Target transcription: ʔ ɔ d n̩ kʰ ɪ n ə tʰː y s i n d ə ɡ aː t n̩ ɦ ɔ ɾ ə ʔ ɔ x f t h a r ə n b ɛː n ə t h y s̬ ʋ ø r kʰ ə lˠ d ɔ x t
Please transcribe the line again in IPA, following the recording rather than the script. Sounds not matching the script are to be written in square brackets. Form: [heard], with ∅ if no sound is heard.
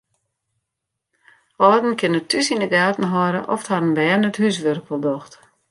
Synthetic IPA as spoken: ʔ ɔ d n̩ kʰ ɪ n ə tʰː y s i n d ə ɡ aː t n̩ ɦ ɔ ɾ ə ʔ ɔ [∅] f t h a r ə n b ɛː n ə t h y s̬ ʋ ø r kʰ ə lˠ d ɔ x t